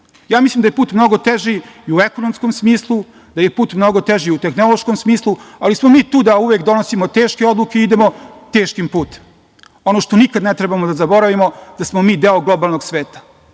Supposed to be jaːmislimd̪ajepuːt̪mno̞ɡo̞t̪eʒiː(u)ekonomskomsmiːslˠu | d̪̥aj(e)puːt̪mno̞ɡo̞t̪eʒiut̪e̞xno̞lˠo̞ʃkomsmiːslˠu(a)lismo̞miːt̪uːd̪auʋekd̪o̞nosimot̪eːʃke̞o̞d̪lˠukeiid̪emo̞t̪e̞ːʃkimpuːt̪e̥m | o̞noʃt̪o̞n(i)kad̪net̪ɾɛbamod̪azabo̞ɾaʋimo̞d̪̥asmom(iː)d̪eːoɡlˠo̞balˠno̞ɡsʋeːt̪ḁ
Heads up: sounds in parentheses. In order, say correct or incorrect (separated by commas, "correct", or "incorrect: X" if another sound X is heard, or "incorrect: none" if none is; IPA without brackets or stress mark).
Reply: correct, correct, correct, correct, correct